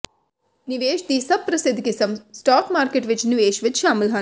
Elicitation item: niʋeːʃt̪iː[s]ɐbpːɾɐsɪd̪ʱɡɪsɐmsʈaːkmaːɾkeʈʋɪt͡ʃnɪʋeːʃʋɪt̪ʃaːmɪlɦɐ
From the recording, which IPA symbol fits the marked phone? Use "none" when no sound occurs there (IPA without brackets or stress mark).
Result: s